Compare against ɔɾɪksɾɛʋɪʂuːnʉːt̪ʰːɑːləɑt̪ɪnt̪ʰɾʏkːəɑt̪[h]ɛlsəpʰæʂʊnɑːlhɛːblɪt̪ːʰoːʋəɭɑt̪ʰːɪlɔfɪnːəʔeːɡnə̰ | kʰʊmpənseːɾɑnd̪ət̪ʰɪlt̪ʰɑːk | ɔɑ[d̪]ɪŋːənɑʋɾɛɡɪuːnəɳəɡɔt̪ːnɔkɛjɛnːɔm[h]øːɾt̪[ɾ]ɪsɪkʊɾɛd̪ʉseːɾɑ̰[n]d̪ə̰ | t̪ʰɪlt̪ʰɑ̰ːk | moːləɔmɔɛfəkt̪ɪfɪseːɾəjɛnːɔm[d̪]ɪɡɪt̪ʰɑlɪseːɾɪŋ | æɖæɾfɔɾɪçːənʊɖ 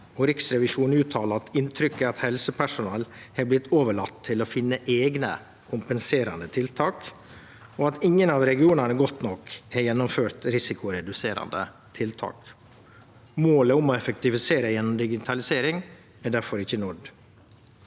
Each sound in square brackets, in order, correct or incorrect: correct, incorrect: t̪, incorrect: f, correct, correct, correct

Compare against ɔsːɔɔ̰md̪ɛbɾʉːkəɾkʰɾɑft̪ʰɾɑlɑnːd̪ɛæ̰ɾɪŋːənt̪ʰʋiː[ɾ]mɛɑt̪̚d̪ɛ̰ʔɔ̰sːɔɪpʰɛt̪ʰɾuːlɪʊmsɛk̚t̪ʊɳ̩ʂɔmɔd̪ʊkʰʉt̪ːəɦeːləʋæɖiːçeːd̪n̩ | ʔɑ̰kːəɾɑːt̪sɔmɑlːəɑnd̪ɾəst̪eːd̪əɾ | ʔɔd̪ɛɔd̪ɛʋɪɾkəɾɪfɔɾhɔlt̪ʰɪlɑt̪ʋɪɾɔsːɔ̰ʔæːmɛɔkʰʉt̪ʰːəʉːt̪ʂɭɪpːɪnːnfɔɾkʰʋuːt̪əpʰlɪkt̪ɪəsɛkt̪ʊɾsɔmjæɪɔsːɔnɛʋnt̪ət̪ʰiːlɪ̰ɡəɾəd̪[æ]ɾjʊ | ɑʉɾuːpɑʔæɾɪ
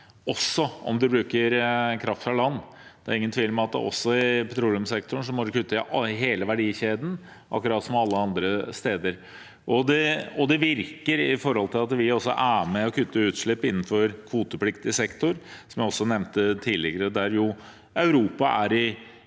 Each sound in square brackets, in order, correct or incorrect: incorrect: l, correct

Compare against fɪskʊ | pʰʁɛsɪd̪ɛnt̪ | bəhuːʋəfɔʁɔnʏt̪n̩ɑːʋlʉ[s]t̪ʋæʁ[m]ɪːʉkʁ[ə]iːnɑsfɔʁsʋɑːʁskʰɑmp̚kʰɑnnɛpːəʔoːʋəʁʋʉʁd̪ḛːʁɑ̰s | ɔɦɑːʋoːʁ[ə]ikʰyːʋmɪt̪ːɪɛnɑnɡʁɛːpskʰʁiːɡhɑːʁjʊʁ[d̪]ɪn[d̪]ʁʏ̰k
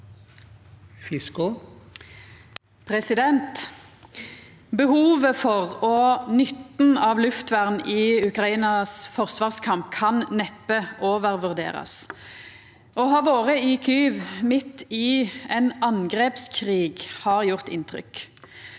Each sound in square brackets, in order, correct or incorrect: incorrect: f, incorrect: n, incorrect: ɑ, correct, incorrect: t̪, incorrect: t̪

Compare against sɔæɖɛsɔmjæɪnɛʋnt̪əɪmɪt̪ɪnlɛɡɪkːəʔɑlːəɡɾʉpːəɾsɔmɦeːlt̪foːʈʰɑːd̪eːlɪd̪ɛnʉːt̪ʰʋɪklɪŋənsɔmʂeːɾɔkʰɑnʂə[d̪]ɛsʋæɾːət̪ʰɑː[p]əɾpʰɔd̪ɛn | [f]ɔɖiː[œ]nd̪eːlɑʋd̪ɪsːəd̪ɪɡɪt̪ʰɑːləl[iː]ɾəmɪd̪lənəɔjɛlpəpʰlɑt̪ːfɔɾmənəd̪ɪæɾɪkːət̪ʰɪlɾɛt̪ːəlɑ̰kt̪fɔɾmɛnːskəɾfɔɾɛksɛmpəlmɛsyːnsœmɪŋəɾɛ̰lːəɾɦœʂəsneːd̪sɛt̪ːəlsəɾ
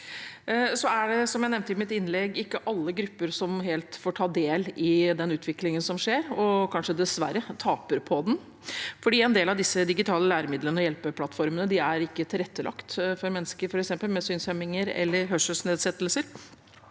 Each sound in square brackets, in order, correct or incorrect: correct, correct, correct, incorrect: ɛ, incorrect: æː

